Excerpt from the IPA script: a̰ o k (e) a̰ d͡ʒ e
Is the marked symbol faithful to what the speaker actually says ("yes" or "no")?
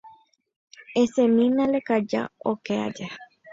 yes